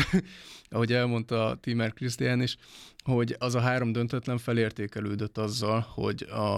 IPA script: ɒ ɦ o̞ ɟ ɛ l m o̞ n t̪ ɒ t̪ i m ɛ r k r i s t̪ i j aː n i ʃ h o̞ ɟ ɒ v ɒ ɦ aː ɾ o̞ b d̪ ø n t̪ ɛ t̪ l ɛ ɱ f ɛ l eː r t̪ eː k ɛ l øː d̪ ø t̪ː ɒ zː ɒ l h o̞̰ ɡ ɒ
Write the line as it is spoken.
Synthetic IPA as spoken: ɒ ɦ o̞ ɟ ɛ l m o̞ n t̪ ɒ t̪ i m ɛ r k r i s t̪ i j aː n i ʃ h o̞ ɟ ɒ z ɒ ɦ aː ɾ o̞ m d̪ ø n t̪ ɛ t̪ l ɛ ɱ f ɛ l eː r t̪ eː k ɛ l øː d̪ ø t̪ː ɒ zː ɒ l h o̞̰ ɟ ɒ